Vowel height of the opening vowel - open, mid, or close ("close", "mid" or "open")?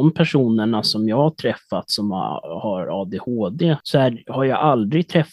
mid